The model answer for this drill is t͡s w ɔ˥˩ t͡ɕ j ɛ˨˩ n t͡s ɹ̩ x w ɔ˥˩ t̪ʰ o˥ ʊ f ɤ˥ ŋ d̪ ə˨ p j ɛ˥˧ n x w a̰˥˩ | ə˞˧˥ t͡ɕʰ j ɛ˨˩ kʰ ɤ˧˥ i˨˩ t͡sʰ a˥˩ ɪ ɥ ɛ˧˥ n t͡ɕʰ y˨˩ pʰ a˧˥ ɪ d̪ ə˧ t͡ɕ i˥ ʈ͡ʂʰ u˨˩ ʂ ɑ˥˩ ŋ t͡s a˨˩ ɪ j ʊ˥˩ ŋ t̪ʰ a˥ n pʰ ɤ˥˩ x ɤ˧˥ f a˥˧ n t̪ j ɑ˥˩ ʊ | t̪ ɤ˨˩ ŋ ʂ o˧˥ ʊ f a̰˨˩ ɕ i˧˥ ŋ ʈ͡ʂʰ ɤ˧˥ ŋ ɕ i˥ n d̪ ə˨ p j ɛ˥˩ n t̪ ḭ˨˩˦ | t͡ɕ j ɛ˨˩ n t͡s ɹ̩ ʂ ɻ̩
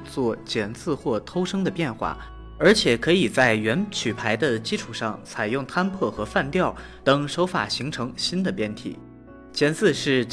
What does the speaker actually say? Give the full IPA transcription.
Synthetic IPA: t͡s w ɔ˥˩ t͡ɕ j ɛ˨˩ n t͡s ɹ̩ x w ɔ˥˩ t̪ʰ o˥ ʊ ʂ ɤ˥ ŋ d̪ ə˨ p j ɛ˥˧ n x w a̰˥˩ | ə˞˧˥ t͡ɕʰ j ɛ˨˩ kʰ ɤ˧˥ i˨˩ t͡s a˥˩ ɪ ɥ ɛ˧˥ n t͡ɕʰ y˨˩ pʰ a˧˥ ɪ d̪ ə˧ t͡ɕ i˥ ʈ͡ʂʰ u˨˩ ʂ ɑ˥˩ ŋ t͡sʰ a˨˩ ɪ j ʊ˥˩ ŋ t̪ʰ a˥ n pʰ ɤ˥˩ x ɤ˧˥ f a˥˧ n t̪ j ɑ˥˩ ʊ | t̪ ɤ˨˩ ŋ ʂ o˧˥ ʊ f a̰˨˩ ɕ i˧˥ ŋ ʈ͡ʂʰ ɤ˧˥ ŋ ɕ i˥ n d̪ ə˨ p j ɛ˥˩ n t̪ʰ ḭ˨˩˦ | t͡ɕ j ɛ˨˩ n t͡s ɹ̩ ʂ ɻ̩